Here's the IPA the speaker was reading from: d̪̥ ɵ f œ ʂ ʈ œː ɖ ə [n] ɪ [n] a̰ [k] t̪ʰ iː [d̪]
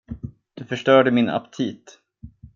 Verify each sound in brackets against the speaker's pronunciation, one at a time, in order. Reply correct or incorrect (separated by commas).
incorrect, correct, incorrect, incorrect